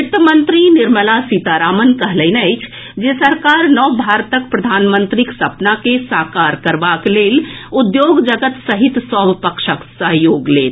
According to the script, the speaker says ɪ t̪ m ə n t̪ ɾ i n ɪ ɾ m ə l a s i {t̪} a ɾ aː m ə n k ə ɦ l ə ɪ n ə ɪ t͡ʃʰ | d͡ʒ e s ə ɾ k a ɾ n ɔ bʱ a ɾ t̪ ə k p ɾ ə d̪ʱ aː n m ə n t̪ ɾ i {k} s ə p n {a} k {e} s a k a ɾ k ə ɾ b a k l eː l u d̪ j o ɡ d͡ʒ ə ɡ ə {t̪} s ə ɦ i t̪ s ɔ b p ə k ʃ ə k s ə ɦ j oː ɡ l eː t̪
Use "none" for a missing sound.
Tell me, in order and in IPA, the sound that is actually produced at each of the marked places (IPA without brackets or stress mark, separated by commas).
t̪, k, a, e, t̪